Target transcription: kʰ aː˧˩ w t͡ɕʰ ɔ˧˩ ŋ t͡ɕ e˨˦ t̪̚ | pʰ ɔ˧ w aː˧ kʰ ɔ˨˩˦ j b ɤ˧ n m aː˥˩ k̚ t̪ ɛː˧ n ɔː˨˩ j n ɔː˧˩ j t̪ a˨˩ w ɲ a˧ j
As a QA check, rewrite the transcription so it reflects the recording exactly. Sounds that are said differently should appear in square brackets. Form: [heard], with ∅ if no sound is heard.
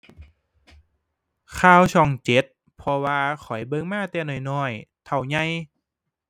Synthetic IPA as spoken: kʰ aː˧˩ w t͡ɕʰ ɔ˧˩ ŋ t͡ɕ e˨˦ t̪̚ | pʰ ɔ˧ w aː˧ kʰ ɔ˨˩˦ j b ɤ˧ [ŋ] m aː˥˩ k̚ t̪ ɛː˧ n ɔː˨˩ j n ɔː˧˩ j [t̪ʰ] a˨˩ w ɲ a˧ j